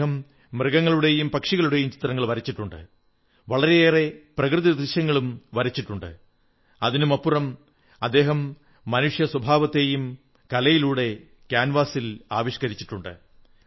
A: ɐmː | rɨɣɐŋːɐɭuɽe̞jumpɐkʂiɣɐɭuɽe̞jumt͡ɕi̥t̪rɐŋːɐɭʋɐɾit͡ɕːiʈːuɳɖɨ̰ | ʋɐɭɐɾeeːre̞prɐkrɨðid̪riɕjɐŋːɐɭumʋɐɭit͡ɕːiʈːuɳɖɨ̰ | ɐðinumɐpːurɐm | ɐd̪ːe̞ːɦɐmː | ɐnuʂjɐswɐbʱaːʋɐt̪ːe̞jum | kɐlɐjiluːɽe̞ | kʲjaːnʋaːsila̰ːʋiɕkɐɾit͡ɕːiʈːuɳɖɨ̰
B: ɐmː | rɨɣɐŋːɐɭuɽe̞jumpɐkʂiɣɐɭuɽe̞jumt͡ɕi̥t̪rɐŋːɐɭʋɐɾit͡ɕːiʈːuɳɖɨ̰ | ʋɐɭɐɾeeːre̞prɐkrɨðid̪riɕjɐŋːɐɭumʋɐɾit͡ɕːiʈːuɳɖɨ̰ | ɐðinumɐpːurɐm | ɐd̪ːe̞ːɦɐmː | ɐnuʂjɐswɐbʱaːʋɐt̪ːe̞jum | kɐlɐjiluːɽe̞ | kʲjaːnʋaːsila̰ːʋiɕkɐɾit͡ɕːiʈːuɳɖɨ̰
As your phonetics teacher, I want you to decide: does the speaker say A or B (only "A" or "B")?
B